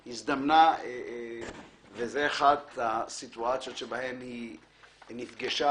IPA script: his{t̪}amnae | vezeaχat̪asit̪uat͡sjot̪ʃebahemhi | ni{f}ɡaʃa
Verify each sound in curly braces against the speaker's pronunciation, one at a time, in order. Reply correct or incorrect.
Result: incorrect, correct

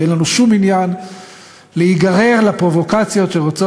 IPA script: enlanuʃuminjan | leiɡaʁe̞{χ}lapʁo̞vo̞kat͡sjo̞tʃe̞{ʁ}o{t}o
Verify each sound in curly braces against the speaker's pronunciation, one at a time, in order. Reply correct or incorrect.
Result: incorrect, correct, incorrect

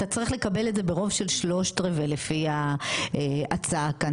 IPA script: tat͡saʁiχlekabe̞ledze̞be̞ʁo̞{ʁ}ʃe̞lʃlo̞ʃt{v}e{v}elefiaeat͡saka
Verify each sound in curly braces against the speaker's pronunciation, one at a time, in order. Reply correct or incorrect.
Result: incorrect, incorrect, correct

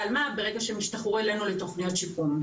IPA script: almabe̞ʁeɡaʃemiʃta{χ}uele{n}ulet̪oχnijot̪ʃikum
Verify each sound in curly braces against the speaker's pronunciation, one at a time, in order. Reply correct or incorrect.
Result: correct, correct

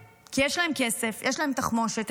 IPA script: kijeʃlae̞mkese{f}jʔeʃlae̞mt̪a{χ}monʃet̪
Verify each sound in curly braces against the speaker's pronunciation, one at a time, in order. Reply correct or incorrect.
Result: correct, correct

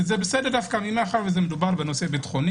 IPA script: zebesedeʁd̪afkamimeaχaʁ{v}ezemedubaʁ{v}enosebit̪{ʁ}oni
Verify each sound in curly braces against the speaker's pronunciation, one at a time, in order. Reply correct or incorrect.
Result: correct, incorrect, incorrect

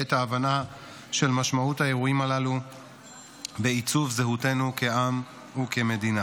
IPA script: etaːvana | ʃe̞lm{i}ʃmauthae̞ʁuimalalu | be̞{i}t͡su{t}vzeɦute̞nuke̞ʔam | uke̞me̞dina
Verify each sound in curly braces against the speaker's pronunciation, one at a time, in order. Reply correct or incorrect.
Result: incorrect, correct, incorrect

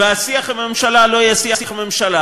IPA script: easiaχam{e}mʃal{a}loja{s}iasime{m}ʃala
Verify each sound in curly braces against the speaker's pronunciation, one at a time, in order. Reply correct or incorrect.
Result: correct, correct, correct, correct

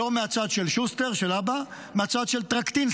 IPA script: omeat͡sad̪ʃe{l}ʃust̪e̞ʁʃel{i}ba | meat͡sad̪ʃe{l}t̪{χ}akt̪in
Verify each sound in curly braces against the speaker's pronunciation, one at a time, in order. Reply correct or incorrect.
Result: correct, incorrect, correct, incorrect

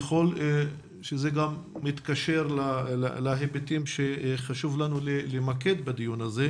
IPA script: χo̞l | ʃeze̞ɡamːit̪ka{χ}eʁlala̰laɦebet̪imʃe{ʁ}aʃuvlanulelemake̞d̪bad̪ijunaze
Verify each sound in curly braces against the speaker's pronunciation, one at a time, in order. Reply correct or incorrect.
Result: incorrect, incorrect

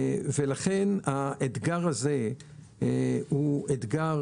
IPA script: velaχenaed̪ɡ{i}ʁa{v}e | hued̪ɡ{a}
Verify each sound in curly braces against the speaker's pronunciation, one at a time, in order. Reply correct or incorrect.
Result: incorrect, incorrect, correct

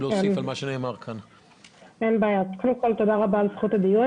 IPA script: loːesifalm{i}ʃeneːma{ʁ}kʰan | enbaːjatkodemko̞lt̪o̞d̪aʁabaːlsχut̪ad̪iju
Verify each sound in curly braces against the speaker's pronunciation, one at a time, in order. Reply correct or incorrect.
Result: incorrect, correct

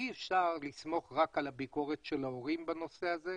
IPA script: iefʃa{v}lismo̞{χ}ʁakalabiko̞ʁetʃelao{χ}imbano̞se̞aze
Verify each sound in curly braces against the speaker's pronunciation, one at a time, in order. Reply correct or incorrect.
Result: incorrect, correct, incorrect

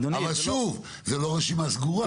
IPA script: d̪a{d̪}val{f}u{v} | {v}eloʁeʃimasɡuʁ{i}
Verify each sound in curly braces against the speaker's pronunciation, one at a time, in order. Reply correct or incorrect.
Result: incorrect, incorrect, correct, incorrect, incorrect

